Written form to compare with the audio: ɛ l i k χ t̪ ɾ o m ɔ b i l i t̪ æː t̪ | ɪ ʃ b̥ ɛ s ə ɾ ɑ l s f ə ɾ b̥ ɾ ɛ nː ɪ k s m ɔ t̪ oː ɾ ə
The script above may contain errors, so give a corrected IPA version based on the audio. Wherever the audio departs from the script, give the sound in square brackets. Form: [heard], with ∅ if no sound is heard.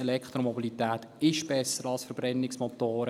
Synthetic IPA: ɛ l [ɛ] k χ t̪ ɾ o m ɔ b i l i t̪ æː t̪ | ɪ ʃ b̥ ɛ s ə ɾ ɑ l s f ə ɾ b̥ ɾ ɛ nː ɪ k s m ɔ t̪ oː ɾ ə

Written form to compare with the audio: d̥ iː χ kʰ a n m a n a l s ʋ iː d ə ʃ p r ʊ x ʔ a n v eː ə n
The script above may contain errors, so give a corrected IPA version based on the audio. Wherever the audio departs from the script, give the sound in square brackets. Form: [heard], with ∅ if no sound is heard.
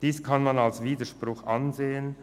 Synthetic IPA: d̥ iː [s] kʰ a n m a n a l s [v] iː d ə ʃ p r ʊ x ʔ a n [z] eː ə n

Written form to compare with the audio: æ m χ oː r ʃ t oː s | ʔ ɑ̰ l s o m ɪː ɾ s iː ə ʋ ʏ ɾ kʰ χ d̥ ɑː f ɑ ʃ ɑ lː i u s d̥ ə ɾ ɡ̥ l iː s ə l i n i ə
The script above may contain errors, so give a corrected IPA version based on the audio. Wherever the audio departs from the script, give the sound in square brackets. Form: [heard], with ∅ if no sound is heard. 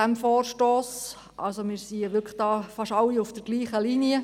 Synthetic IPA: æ m [f] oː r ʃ t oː s | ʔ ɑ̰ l s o m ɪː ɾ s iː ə ʋ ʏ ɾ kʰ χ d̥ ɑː f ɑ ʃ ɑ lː i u [f] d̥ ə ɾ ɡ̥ l iː [χ] ə l i n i ə

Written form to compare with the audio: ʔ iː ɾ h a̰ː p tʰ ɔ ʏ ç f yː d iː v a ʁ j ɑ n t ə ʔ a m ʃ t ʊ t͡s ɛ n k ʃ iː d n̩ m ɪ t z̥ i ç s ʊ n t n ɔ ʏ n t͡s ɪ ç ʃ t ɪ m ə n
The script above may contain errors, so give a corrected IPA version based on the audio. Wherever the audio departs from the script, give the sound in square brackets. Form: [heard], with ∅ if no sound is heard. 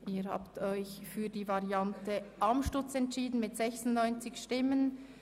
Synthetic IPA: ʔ iː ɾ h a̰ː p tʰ ɔ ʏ ç f yː d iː v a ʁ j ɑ n t ə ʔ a m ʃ t ʊ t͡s ɛ n [t] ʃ iː d n̩ m ɪ t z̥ [ɛ] ç s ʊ n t n ɔ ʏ n t͡s ɪ ç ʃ t ɪ m ə n

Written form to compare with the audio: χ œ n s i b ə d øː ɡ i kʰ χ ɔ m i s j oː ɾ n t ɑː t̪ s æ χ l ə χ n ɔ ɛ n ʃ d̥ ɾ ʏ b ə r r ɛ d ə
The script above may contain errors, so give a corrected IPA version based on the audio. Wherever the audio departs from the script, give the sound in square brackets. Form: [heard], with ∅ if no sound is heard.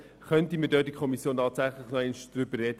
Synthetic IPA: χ œ n [t] i [m] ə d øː [d] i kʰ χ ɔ m i s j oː [∅] n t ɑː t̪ s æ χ l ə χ n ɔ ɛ n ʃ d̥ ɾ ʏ b ə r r ɛ d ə

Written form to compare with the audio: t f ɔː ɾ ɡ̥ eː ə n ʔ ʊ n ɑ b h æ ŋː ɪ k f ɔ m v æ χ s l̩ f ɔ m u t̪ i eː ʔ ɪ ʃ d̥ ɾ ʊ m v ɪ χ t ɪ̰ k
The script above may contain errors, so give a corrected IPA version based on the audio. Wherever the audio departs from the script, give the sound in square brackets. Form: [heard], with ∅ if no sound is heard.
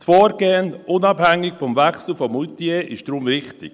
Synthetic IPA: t f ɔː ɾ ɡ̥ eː ə n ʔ ʊ n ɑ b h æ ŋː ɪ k f ɔ m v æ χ s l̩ f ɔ m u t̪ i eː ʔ ɪ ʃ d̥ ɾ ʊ m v ɪ χ t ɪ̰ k

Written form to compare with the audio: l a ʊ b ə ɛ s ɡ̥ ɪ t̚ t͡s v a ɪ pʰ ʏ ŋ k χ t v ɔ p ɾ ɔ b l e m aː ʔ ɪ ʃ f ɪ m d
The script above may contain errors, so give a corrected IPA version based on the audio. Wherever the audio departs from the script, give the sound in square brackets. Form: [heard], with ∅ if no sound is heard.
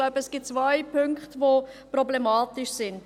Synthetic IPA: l a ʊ b ə ɛ s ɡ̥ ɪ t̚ t͡s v a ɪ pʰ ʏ ŋ k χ t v [o] p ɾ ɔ b l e m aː [t] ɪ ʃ [s] ɪ [n] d

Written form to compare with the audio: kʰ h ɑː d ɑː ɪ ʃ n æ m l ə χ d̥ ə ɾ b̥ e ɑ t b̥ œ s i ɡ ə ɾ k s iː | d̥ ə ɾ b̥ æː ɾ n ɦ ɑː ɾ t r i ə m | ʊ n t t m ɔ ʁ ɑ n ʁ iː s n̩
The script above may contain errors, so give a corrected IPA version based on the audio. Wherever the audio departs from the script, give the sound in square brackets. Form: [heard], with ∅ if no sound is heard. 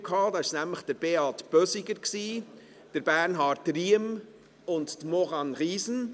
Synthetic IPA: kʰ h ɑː d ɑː ɪ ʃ n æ m l ə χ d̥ ə ɾ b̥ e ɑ t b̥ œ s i ɡ ə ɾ k s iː | d̥ ə ɾ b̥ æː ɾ n ɦ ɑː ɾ t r i ə m | ʊ n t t m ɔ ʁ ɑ n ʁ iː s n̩

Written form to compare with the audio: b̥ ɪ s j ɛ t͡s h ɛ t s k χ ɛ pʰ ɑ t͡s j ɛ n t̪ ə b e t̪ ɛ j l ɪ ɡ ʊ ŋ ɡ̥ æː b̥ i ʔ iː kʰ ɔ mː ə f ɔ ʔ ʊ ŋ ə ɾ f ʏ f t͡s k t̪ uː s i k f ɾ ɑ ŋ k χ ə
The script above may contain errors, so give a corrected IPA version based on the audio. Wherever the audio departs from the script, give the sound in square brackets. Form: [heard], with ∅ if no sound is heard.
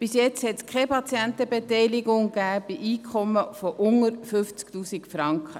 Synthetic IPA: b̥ ɪ s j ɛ t͡s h ɛ t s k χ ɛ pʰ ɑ t͡s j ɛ n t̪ ə b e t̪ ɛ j l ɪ ɡ ʊ ŋ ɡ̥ æː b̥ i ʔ iː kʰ ɔ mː ə f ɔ ʔ ʊ ŋ ə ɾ f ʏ f t͡s k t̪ uː s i k f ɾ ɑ ŋ k χ ə

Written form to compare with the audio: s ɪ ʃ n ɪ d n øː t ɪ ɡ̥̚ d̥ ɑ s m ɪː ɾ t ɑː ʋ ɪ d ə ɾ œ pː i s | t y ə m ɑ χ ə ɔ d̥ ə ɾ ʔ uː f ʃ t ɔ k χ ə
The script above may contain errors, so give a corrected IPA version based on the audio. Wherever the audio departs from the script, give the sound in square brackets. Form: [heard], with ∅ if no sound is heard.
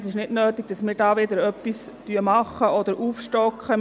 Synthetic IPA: s ɪ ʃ n ɪ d n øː t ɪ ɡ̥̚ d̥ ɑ s m ɪː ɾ [d] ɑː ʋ ɪ d ə ɾ œ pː i s | t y ə m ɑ χ ə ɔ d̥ ə ɾ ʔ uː f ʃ t ɔ k χ ə

